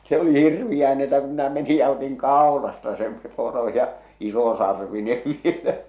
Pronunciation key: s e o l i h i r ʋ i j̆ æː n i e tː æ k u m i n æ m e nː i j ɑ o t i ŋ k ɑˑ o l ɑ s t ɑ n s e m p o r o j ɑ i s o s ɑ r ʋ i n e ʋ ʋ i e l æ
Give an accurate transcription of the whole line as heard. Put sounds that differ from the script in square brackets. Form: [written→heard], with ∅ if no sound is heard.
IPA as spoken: s e o l i h i r ʋ i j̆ æː n i e tː æ k u m i n æ m e [nː→n] i j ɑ o t i ŋ k ɑˑ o l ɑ s t ɑ [n→∅] s e m p o r o j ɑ i s o s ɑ r ʋ i n e ʋ ʋ i e l æ